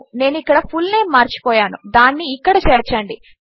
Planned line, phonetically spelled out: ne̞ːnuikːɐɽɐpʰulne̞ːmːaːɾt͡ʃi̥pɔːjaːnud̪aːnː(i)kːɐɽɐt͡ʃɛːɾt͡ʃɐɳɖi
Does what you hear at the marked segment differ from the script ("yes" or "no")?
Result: yes